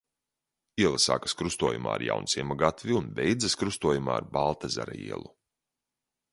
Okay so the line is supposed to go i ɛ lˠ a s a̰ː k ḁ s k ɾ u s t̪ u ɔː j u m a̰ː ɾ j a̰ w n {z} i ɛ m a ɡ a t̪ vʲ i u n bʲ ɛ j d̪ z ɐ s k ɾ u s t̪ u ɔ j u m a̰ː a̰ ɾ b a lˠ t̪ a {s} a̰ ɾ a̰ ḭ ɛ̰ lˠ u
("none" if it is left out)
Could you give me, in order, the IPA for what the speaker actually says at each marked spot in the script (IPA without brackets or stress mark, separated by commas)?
s, z